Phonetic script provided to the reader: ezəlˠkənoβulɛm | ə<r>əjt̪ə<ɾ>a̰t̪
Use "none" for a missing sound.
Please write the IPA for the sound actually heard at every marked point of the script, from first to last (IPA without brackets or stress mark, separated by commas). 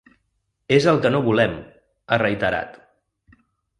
r, ɾ